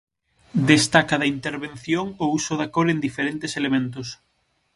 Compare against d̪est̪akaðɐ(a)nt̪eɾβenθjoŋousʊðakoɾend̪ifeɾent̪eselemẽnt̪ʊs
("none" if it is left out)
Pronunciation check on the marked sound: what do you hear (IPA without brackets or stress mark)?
i